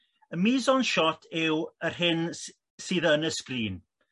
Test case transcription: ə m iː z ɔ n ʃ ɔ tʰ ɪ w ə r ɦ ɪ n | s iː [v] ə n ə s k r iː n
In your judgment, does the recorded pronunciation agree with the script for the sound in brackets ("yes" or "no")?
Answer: no